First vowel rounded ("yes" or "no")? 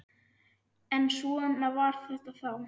no